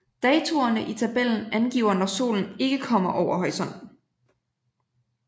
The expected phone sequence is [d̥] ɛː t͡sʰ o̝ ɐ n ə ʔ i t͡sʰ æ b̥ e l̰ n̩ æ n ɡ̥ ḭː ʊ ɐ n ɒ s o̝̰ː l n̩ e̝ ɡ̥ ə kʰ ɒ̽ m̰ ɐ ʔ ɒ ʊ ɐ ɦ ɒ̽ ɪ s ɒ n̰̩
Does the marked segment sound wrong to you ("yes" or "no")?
no